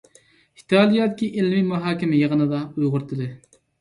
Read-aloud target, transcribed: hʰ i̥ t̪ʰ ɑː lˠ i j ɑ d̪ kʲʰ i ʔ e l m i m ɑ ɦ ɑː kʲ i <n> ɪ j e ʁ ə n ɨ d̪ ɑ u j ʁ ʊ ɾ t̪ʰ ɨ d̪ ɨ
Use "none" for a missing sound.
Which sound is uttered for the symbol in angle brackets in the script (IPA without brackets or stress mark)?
m